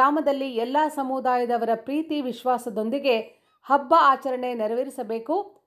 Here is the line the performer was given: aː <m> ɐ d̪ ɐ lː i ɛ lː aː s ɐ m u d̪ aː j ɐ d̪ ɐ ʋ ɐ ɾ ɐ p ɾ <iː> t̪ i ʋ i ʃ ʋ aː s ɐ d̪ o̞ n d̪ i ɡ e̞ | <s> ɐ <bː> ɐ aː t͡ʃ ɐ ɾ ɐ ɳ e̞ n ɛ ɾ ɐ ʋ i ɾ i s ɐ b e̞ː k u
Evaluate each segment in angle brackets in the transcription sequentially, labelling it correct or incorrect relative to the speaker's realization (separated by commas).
correct, correct, incorrect, correct